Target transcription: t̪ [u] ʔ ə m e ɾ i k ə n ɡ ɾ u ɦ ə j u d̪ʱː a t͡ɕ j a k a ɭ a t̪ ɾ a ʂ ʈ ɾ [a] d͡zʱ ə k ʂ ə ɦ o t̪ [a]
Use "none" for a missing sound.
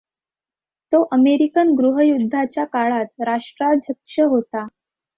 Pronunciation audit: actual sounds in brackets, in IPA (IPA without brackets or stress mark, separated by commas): o, a, a